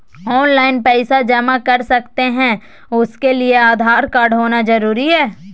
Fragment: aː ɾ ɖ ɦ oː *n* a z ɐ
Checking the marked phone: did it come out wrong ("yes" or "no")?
no